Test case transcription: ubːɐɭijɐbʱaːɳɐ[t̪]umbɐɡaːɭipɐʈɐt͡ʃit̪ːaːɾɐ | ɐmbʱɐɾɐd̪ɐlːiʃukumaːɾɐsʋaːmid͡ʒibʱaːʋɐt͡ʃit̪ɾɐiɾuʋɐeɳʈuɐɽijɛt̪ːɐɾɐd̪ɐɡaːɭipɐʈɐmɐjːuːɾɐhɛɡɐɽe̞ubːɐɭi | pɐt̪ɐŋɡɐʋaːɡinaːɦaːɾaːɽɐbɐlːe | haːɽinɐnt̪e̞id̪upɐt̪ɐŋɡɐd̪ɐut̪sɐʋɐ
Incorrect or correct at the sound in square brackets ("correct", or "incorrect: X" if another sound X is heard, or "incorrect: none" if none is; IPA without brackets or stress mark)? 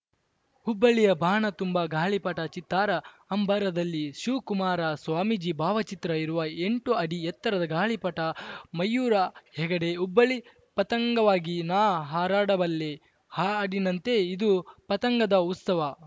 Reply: correct